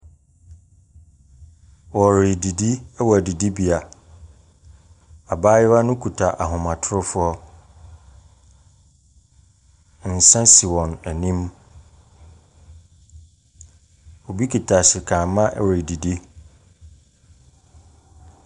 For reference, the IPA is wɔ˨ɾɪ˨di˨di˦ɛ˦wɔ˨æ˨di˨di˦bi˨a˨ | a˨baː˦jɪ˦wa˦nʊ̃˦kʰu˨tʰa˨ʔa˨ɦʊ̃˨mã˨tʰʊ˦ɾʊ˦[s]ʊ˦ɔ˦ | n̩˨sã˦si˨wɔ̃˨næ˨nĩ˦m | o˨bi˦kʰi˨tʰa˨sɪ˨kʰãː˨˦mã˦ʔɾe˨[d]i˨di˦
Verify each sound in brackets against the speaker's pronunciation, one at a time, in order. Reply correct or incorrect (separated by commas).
incorrect, correct